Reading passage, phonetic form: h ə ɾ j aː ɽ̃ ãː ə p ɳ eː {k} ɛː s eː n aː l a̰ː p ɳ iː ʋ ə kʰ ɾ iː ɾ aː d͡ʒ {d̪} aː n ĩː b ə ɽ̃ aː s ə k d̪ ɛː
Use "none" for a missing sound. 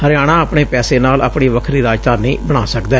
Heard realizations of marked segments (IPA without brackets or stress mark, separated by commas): p, t̪